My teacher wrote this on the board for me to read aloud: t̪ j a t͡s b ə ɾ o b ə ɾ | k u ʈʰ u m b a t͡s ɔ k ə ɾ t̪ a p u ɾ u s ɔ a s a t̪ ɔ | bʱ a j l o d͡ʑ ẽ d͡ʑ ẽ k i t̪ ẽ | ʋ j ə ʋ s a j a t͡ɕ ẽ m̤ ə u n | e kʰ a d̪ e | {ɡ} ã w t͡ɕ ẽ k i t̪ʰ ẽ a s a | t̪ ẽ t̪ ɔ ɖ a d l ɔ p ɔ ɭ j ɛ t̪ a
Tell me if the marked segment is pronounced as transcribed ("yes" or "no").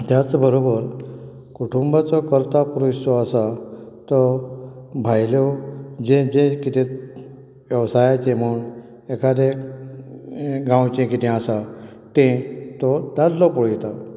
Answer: yes